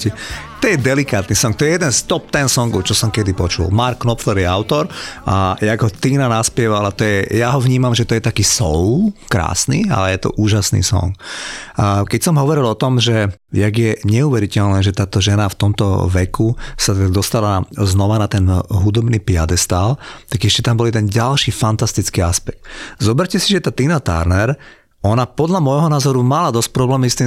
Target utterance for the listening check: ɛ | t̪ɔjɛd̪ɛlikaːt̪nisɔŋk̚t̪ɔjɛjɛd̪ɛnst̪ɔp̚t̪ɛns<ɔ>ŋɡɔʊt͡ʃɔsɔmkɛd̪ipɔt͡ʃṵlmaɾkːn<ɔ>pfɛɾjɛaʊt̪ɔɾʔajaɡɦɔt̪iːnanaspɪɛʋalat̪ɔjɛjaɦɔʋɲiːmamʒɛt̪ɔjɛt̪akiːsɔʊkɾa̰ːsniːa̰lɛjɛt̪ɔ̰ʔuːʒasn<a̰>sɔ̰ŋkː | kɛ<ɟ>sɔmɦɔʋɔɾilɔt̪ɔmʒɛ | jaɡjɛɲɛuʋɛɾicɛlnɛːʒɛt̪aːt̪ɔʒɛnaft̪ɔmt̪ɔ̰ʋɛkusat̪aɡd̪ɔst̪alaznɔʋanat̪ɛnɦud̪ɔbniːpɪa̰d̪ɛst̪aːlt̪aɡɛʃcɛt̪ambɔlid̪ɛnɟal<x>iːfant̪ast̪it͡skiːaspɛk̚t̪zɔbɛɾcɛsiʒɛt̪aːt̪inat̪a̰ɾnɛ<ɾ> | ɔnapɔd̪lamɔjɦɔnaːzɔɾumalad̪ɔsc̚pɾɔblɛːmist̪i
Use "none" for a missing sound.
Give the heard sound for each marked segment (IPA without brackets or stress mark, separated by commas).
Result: ɔ, ɔ, ḭ, c, ʃ, ɾ